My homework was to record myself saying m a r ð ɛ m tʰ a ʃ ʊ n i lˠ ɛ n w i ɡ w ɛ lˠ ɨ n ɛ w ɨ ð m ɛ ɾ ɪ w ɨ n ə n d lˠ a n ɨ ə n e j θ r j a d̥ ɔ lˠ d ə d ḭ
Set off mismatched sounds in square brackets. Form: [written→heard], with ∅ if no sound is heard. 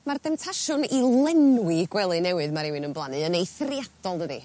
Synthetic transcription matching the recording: m a r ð ɛ m tʰ a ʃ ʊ n i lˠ ɛ n w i ɡ w ɛ lˠ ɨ n ɛ w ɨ ð m [ɛ→a] ɾ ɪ w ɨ n ə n [d→b] lˠ a n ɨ ə n e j θ r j a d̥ ɔ lˠ d ə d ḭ